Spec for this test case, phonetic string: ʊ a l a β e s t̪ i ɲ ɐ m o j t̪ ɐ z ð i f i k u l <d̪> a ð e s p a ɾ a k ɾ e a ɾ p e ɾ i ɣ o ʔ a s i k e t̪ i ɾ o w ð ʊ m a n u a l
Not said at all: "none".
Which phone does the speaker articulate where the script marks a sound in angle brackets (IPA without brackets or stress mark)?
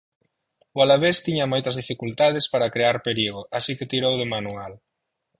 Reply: t̪